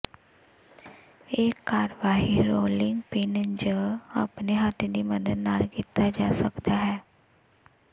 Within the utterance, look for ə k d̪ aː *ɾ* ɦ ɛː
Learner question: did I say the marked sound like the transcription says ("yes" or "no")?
no